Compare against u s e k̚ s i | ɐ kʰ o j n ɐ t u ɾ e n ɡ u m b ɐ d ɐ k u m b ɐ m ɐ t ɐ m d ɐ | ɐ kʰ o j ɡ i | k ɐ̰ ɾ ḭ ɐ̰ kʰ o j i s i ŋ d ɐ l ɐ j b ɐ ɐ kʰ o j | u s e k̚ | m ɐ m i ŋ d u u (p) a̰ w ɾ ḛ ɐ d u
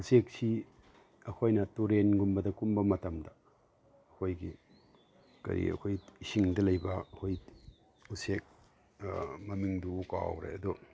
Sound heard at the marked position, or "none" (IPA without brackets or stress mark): k